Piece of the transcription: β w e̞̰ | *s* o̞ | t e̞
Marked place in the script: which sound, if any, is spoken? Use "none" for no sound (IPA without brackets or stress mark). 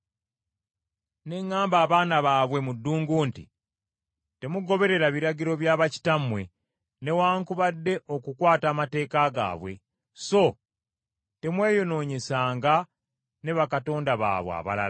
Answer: s